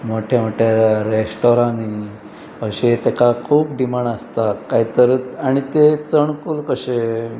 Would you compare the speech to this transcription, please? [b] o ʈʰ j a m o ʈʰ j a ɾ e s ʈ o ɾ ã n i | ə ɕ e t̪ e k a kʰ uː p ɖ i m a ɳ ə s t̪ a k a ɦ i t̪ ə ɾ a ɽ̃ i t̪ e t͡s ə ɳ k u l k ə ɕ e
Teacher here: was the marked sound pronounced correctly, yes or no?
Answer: no